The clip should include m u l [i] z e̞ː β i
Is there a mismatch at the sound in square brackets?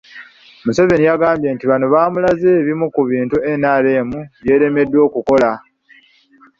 yes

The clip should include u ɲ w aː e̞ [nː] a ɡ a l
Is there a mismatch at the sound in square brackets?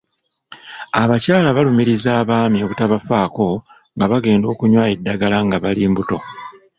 yes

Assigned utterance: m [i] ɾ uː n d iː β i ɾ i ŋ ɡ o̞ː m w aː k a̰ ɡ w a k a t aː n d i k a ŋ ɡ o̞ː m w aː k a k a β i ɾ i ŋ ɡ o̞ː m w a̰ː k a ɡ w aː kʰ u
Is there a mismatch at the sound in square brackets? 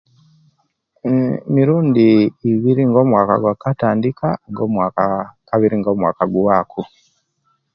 no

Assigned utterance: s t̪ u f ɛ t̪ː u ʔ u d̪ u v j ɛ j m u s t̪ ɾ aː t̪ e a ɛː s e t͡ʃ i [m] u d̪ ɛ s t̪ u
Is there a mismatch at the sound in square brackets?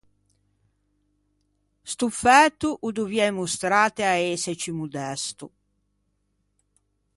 no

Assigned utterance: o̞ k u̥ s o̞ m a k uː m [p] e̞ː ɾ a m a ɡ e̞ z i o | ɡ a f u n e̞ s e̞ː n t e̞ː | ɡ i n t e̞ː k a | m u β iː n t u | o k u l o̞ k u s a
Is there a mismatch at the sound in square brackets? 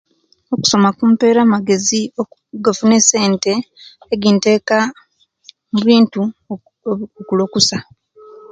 no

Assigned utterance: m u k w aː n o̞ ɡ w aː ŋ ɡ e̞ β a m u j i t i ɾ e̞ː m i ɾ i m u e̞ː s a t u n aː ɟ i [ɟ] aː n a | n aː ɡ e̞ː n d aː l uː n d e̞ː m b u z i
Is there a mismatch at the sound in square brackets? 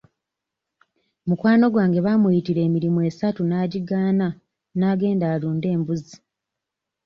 yes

